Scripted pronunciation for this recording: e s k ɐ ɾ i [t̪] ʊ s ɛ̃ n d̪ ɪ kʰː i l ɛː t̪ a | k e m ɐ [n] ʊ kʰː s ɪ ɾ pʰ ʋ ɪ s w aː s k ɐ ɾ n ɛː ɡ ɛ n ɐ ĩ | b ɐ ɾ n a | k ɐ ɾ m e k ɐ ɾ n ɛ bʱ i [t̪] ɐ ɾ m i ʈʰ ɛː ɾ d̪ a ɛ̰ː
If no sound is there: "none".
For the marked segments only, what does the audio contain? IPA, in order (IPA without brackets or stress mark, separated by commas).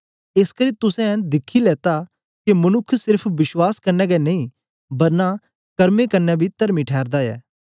t̪, n, t̪